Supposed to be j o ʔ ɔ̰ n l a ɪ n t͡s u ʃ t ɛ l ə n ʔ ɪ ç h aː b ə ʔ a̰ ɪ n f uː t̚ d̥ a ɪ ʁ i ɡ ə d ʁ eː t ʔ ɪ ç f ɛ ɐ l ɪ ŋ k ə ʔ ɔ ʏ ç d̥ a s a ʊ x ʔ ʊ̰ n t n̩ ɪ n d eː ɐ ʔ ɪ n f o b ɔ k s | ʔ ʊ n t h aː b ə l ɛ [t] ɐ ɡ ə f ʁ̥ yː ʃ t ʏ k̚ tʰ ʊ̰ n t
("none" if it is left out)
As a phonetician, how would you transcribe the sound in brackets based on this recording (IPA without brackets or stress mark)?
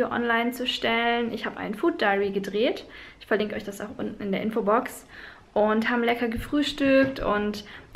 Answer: k